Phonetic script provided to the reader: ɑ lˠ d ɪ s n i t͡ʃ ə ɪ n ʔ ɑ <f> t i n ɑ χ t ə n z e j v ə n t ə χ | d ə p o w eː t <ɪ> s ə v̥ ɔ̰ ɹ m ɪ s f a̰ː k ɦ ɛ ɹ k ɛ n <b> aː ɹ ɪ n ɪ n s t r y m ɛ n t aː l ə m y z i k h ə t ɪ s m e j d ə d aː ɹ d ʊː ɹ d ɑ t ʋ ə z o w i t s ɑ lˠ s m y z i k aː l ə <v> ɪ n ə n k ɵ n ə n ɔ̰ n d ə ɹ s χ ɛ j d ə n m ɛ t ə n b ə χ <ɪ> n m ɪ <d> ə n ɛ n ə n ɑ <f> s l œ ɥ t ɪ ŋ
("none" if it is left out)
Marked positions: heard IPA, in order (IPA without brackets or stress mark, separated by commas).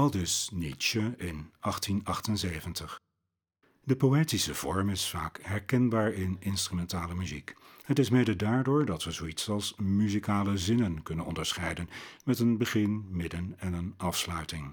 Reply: χ, i, b, z, ɪ, d, f